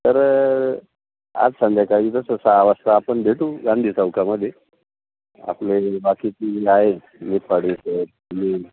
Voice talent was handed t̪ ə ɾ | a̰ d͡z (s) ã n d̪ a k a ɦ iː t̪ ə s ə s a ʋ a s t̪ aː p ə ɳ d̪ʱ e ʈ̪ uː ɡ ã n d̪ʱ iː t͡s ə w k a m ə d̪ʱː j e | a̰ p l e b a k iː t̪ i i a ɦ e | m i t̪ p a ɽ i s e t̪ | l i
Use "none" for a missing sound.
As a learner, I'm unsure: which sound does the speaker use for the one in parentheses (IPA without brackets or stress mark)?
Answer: s